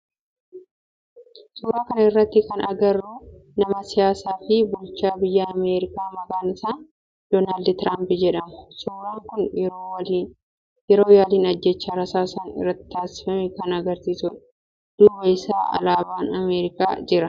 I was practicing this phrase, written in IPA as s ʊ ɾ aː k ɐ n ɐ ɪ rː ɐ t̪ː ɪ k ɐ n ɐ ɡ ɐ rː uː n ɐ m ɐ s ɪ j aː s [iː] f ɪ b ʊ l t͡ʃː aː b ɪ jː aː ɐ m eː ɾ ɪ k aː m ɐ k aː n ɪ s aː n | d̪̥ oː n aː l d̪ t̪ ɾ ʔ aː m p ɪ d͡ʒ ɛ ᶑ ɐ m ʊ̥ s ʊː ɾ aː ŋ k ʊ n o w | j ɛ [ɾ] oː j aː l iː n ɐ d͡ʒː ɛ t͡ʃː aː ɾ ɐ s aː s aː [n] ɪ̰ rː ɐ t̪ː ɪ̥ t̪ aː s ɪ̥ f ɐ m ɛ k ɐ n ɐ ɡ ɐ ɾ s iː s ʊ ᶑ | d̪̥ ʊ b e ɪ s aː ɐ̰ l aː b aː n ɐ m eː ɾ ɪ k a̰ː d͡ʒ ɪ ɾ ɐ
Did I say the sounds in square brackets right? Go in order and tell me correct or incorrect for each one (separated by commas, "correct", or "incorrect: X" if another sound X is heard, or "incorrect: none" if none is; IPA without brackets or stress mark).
incorrect: aː, correct, correct